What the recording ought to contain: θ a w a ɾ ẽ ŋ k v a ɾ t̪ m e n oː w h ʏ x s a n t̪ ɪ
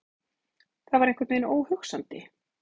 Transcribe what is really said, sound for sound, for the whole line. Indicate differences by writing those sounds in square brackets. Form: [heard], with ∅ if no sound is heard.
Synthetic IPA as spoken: θ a [v] a ɾ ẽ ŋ k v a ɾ t̪ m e n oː w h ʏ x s a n t̪ ɪ